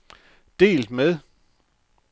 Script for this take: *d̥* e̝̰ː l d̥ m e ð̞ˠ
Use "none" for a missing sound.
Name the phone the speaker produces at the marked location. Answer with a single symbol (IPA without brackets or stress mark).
d̥